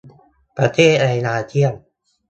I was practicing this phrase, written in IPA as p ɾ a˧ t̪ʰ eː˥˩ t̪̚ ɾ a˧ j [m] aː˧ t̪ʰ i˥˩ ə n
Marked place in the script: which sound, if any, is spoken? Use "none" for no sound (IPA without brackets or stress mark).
n